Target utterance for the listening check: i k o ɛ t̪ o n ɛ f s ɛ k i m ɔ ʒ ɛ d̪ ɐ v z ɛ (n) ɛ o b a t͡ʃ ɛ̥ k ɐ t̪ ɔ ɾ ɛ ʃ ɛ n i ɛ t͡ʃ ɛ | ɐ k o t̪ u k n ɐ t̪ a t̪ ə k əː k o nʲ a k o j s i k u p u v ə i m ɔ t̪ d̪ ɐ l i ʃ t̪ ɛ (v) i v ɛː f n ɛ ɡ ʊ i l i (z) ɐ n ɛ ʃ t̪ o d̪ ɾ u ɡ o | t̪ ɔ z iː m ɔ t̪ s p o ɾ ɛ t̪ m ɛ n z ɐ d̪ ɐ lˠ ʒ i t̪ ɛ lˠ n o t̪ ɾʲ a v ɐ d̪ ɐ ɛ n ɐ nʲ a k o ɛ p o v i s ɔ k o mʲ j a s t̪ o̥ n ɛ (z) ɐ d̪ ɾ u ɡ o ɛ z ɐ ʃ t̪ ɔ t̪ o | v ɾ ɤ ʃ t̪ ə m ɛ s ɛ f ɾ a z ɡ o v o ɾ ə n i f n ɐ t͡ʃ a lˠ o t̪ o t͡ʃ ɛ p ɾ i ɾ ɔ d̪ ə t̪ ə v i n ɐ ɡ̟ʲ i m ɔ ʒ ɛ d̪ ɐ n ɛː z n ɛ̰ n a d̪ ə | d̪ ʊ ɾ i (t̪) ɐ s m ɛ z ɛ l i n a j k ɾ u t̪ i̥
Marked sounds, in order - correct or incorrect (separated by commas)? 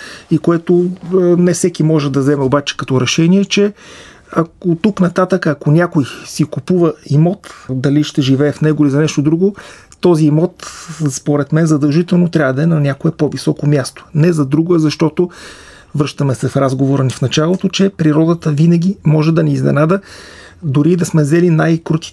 incorrect, incorrect, correct, correct, incorrect